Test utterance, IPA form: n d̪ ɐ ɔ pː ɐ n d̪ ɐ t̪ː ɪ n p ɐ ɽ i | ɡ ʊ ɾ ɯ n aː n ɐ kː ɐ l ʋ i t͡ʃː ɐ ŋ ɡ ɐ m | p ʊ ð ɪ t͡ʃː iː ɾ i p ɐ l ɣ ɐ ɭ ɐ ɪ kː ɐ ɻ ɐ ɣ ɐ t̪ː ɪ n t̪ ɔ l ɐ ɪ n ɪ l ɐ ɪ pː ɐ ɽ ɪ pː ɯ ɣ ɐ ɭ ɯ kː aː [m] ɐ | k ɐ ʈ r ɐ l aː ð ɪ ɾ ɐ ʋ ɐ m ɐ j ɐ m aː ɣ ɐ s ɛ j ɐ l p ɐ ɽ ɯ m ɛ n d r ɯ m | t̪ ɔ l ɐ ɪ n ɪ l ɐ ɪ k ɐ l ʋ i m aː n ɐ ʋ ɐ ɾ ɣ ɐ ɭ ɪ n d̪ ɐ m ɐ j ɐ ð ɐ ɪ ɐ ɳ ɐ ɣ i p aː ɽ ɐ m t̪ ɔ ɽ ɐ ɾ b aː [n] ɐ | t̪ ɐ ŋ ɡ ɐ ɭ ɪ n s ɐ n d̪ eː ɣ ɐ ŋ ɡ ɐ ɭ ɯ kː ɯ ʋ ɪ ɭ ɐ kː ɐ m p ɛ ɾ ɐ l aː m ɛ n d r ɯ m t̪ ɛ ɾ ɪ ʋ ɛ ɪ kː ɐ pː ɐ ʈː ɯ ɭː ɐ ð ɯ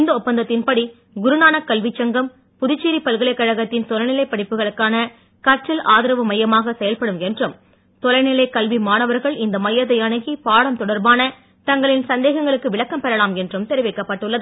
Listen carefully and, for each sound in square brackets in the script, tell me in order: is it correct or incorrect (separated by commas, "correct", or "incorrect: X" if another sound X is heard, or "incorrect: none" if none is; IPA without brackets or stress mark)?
incorrect: n, correct